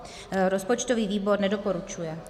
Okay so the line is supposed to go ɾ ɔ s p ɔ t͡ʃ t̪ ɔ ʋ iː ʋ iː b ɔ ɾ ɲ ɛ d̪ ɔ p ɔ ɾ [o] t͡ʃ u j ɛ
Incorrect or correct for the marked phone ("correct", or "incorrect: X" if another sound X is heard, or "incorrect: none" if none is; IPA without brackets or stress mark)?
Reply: incorrect: u